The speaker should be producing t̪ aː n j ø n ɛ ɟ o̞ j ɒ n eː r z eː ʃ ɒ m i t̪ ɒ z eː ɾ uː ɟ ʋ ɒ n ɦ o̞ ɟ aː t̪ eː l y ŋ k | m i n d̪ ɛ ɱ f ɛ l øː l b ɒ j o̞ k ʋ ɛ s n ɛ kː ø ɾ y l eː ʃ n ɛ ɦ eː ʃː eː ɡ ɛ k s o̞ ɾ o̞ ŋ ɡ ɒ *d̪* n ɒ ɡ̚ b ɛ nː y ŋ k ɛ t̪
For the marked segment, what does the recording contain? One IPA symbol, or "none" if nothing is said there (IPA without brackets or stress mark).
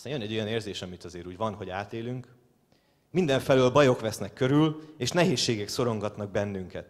t̪